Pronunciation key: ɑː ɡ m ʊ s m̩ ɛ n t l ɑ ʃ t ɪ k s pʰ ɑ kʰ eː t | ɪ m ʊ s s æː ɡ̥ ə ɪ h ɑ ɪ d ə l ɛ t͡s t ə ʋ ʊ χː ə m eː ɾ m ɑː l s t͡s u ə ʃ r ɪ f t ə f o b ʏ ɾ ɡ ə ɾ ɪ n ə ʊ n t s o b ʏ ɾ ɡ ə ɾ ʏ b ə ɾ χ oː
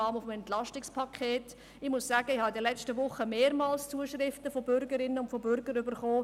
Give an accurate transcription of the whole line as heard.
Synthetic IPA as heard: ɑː m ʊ f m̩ ɛ n t l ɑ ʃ t ɪ k s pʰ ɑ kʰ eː t | ɪ m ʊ s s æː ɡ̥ ə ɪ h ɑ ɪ d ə l ɛ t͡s t ə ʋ ʊ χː ə m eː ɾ m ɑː l s t͡s u ə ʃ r ɪ f t ə f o b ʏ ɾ ɡ ə ɾ ɪ n ə ʊ n t f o b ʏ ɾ ɡ ə ɾ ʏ b ə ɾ χ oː